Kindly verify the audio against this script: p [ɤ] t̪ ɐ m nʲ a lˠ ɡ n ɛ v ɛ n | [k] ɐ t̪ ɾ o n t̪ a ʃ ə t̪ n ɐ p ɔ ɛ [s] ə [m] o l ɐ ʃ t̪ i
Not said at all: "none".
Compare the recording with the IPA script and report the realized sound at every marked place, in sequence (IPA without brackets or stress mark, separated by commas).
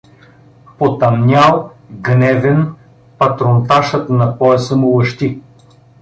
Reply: o, p, s, m